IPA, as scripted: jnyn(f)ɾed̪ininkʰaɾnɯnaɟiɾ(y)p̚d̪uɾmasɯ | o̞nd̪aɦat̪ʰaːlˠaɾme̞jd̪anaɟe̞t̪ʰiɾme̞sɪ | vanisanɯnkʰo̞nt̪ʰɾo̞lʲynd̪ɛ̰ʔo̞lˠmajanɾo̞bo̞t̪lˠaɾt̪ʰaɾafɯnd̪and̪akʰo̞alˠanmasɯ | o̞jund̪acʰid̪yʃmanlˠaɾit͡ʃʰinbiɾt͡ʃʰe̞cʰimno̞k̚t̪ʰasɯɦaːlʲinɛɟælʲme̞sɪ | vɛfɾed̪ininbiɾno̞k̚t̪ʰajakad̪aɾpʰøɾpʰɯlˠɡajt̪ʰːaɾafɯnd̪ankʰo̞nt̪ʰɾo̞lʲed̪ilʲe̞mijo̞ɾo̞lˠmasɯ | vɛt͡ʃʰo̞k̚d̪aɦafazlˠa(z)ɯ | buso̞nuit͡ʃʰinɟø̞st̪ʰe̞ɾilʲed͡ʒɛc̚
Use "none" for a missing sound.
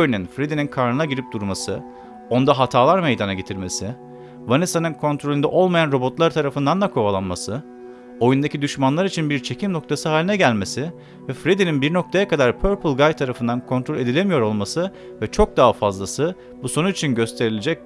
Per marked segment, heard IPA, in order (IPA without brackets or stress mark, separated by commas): f, i, s